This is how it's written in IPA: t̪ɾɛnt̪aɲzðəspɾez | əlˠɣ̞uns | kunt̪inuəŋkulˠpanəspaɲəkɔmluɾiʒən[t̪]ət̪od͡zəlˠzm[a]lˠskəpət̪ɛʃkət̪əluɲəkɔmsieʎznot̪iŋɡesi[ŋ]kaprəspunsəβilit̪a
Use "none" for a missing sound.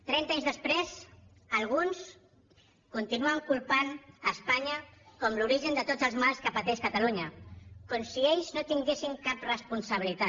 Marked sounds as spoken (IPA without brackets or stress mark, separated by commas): d̪, a, ŋ